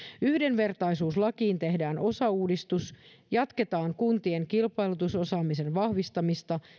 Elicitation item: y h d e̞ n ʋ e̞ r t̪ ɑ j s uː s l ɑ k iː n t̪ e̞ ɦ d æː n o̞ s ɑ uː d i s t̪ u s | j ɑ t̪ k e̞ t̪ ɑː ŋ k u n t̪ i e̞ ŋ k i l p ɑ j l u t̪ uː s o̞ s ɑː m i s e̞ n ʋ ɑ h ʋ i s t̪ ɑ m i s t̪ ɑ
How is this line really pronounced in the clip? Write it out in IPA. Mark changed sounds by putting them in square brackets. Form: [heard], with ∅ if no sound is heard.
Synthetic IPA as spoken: y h d e̞ n ʋ e̞ r t̪ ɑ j s uː s l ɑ k iː n t̪ e̞ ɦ d æː n o̞ s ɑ uː d i s t̪ u s | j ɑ t̪ k e̞ t̪ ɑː ŋ k u n t̪ i e̞ ŋ k i l p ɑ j l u t̪ [u] s o̞ s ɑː m i s e̞ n ʋ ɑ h ʋ i s t̪ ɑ m i s t̪ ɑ